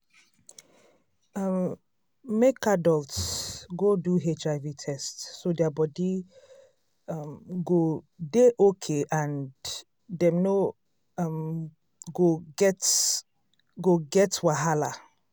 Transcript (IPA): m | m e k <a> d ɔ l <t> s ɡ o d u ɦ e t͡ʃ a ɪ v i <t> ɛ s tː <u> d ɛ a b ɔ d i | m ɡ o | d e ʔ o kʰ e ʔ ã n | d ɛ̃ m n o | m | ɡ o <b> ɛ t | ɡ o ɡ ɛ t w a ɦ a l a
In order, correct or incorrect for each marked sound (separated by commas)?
correct, correct, incorrect, incorrect, incorrect